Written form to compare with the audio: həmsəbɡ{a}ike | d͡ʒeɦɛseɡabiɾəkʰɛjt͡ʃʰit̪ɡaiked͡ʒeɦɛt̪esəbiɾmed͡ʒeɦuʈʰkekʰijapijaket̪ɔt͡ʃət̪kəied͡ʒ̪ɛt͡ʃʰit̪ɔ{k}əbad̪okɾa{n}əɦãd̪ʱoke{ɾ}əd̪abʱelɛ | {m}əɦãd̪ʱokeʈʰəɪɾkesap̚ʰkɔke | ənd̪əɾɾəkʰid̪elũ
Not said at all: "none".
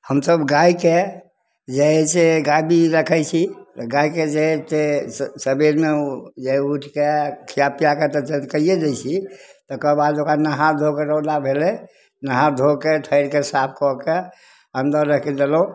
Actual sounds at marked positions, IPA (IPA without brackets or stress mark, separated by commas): a, k, n, ɾ, n